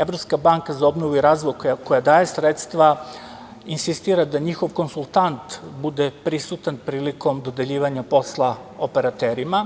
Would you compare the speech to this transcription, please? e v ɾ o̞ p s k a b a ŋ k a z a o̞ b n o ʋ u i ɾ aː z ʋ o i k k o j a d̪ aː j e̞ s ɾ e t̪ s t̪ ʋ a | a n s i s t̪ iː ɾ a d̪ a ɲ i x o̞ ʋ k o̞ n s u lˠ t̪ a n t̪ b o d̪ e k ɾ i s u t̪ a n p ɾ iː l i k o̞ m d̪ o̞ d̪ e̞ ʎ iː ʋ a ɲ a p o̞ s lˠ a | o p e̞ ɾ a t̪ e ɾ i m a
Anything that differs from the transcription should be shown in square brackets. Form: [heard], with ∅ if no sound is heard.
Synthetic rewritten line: e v ɾ o̞ p s k a b a ŋ k a z a o̞ b n o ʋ u i ɾ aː z ʋ o [j] k k o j a d̪ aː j e̞ s ɾ e t̪ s t̪ ʋ a | [i] n s i s t̪ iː ɾ a d̪ a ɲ i x o̞ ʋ k o̞ n s u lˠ t̪ a n t̪ b [u] d̪ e [p] ɾ i s u t̪ a n p ɾ iː l i k o̞ m d̪ o̞ d̪ e̞ ʎ iː ʋ a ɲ a p o̞ s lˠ a | o p e̞ ɾ a t̪ e ɾ i m a